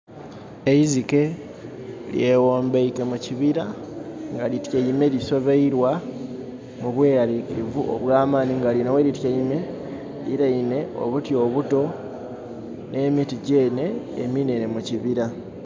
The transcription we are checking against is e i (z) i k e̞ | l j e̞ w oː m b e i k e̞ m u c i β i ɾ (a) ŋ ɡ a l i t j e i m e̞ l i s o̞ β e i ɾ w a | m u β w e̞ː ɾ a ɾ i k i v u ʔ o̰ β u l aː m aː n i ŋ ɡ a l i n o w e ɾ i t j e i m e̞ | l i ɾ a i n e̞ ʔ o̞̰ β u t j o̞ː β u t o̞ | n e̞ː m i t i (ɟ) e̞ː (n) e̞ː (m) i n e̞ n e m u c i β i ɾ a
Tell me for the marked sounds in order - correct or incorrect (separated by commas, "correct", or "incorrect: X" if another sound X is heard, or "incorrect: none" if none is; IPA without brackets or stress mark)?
correct, correct, correct, correct, correct